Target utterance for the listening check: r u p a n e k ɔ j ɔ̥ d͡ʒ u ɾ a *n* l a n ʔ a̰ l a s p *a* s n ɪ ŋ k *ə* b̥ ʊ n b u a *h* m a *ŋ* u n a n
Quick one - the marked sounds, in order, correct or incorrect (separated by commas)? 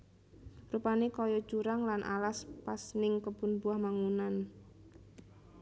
incorrect, correct, correct, correct, correct